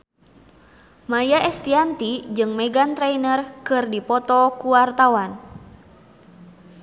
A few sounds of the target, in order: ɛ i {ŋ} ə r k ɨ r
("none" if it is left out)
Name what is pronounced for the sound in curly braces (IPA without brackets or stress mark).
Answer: n